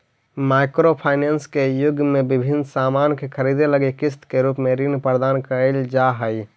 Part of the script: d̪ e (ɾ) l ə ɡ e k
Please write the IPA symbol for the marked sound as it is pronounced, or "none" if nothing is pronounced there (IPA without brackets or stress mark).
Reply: none